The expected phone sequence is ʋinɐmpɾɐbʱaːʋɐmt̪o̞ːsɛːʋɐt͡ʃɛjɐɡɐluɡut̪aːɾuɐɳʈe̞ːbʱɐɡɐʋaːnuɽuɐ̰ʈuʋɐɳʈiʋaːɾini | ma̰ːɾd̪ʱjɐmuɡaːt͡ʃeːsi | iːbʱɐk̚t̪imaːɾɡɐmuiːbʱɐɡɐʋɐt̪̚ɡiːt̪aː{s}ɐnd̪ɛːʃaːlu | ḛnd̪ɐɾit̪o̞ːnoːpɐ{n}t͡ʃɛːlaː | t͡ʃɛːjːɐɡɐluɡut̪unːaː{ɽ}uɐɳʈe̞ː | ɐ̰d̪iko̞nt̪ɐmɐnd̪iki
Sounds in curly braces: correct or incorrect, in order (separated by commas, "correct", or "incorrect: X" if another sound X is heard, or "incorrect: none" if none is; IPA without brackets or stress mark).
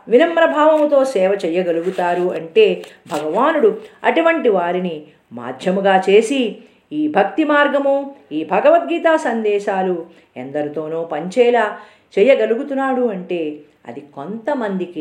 correct, incorrect: ɲ, correct